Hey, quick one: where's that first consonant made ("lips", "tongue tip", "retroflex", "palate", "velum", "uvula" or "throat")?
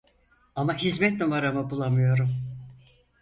lips